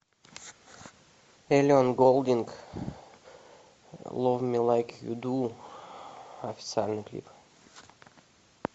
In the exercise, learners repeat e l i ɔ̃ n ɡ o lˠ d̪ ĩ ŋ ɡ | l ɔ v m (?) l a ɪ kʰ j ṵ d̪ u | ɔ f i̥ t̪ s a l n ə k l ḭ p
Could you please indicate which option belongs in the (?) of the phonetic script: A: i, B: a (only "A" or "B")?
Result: A